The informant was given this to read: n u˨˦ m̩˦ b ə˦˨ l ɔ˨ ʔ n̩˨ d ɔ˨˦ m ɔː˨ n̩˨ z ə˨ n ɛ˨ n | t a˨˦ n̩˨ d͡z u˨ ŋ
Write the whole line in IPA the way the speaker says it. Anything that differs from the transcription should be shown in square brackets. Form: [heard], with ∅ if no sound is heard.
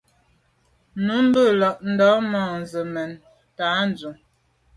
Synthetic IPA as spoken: n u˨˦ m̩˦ b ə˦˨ l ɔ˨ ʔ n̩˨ d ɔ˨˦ m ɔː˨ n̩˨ z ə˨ [m] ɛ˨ n | t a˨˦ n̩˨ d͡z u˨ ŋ

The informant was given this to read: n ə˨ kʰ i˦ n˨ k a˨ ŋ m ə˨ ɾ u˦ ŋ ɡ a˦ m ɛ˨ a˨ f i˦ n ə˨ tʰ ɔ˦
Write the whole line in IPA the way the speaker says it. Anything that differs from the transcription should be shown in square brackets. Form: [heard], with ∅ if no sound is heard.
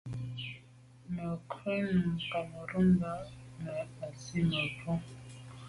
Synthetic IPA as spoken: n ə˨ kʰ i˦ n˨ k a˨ [∅] m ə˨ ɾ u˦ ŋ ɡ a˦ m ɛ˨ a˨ [s] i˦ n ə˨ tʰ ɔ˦

